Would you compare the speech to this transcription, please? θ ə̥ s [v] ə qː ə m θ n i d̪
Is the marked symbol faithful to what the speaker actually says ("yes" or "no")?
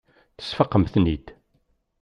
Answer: no